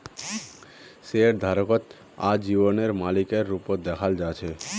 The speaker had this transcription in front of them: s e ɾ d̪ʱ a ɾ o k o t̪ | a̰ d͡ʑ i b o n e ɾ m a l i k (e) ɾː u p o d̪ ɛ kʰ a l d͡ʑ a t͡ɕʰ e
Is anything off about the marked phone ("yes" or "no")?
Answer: no